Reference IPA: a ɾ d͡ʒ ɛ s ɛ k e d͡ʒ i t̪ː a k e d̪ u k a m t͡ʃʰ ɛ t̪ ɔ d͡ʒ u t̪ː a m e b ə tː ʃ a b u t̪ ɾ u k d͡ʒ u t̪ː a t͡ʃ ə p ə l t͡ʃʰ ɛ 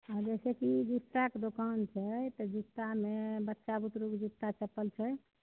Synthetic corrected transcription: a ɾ d͡ʒ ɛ s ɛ k i d͡ʒ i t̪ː a k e d̪ o k a n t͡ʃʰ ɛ t̪ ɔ d͡ʒ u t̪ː a m e b ə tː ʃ a b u t̪ ɾ u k d͡ʒ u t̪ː a t͡ʃ ə p ə l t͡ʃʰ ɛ